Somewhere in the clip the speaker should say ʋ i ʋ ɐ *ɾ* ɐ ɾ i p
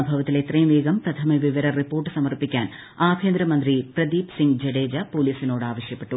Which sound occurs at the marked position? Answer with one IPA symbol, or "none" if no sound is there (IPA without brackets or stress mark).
ɾ